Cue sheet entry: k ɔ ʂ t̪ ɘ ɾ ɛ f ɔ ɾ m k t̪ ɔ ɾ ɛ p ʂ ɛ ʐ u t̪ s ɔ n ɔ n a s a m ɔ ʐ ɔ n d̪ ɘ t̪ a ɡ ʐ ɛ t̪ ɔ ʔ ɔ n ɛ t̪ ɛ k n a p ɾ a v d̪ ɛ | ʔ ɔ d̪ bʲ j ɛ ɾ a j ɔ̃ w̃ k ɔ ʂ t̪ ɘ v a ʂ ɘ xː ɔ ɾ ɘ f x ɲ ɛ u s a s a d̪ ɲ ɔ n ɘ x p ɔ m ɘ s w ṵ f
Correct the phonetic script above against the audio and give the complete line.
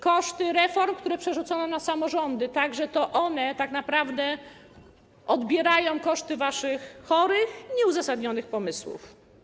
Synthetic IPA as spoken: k ɔ ʂ t̪ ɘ ɾ ɛ f ɔ ɾ m k t̪ u ɾ ɛ p ʂ ɛ ʐ u t̪ s ɔ n ɔ n a s a m ɔ ʐ ɔ n d̪ ɘ t̪ a ɡ ʐ ɛ t̪ ɔ ʔ ɔ n ɛ t̪ a k n a p ɾ a v d̪ ɛ | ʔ ɔ d̪ bʲ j ɛ ɾ a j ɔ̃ w̃ k ɔ ʂ t̪ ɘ v a ʂ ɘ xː ɔ ɾ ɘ x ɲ ɛ u z a s a d̪ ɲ ɔ n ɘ x p ɔ m ɘ s w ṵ f